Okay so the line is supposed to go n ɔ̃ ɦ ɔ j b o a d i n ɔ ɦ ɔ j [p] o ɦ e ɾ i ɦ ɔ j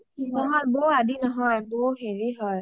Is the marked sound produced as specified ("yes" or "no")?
no